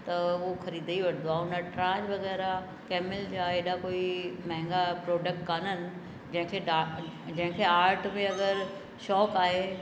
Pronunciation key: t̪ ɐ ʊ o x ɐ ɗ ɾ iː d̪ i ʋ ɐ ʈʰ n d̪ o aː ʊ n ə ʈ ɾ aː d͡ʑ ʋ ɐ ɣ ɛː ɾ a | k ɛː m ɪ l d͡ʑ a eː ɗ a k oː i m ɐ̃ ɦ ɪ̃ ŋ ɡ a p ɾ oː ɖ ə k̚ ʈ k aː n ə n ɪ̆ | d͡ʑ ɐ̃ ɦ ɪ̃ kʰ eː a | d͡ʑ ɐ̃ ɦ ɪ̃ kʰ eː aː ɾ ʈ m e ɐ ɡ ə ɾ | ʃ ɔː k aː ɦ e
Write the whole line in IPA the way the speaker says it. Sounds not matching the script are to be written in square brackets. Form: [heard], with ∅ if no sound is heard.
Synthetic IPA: t̪ ɐ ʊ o x ɐ [∅] ɾ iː d̪ i ʋ ɐ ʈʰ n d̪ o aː ʊ n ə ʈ ɾ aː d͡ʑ ʋ ɐ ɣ ɛː ɾ a | k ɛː m ɪ l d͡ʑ a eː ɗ a k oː i m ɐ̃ ɦ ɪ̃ ŋ ɡ a p ɾ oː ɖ ə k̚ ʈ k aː n ə n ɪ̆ | d͡ʑ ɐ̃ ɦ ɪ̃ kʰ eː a | d͡ʑ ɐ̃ ɦ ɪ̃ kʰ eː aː ɾ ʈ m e ɐ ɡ ə ɾ | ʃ ɔː k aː ɦ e

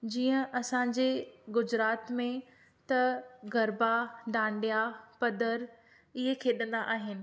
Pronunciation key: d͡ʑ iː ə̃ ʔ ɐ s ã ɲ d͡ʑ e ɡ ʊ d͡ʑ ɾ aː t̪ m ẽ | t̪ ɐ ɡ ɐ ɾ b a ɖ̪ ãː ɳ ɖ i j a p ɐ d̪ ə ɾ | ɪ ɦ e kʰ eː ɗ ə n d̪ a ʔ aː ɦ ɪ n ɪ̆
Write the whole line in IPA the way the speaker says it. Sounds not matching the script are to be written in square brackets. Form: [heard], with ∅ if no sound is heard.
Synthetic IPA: d͡ʑ iː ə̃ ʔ ɐ s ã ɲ d͡ʑ e ɡ ʊ d͡ʑ ɾ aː t̪ m ẽ | t̪ ɐ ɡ ɐ ɾ b a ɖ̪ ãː ɳ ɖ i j a p ɐ d̪ ə ɾ | ɪ ɦ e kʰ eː ɗ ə n d̪ a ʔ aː ɦ ɪ n ɪ̆

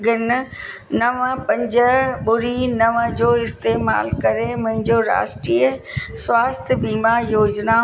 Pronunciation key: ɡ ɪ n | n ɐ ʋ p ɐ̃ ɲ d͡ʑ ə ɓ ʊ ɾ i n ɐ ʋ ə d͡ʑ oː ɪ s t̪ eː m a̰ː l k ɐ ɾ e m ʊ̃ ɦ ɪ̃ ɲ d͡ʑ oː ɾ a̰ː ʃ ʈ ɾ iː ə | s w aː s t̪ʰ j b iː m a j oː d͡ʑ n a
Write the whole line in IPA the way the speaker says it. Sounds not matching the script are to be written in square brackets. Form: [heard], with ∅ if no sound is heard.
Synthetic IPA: ɡ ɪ n | n ɐ ʋ p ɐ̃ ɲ d͡ʑ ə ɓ ʊ ɾ i n ɐ ʋ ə d͡ʑ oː ɪ s t̪ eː m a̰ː l k ɐ ɾ e m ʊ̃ ɦ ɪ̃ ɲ d͡ʑ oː ɾ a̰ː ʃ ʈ ɾ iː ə | s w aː s t̪ʰ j b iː m a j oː d͡ʑ n a

